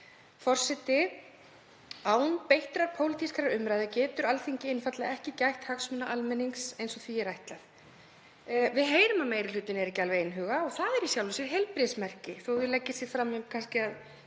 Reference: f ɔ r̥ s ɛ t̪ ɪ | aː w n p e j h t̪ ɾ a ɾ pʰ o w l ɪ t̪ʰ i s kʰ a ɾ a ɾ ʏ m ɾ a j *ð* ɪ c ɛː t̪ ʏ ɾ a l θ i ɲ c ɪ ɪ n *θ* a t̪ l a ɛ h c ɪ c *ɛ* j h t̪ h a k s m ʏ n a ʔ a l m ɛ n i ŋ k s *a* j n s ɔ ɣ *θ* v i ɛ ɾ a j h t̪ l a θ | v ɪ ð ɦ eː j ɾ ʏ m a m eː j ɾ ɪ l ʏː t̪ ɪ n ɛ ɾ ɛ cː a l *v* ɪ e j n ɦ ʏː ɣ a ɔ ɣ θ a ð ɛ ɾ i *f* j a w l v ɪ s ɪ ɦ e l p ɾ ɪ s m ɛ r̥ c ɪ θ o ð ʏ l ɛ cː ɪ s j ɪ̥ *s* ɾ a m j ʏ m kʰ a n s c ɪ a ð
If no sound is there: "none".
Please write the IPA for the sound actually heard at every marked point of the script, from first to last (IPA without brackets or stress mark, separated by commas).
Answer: ð, f, a, e, θ, v, s, f